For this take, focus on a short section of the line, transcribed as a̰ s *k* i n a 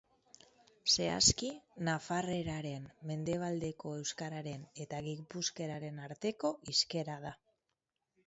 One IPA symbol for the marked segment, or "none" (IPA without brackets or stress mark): k